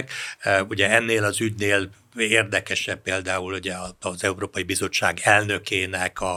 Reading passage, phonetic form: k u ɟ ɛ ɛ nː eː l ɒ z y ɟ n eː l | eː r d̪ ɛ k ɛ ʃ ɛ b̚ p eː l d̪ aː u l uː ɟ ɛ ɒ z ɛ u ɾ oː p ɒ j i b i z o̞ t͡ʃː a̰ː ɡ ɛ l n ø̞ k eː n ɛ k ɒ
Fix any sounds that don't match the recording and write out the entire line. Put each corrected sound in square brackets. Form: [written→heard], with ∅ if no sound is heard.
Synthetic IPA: k u ɟ ɛ ɛ nː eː l ɒ z y ɟ n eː l | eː r d̪ ɛ k ɛ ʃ ɛ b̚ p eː l d̪ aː u l [uː→u] ɟ ɛ ɒ z ɛ u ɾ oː p ɒ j i b i z o̞ t͡ʃː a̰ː ɡ ɛ l n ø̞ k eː n ɛ k ɒ